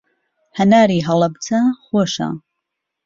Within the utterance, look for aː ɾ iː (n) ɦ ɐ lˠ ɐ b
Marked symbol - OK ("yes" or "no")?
no